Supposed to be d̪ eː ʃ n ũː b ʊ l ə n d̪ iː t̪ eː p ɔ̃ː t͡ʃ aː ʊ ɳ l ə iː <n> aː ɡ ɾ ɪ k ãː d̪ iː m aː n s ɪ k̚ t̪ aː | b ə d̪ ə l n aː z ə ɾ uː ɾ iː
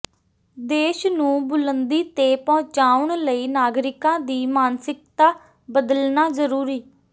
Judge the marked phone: correct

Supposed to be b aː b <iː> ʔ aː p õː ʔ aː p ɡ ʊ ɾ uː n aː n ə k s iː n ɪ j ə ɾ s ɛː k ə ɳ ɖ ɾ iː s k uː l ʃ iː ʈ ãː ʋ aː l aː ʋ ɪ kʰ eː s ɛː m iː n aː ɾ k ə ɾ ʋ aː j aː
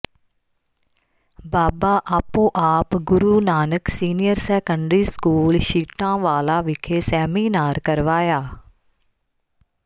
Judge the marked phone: incorrect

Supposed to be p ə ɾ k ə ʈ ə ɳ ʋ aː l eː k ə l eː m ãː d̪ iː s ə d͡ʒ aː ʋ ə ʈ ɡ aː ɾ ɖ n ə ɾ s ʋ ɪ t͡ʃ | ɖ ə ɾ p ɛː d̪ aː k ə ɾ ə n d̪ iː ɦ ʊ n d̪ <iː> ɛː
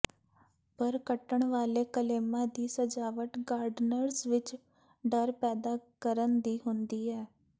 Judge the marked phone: correct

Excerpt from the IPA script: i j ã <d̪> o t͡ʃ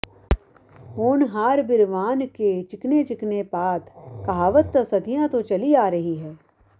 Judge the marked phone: incorrect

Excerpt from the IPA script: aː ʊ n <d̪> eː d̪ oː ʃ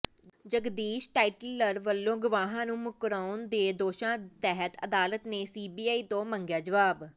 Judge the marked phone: correct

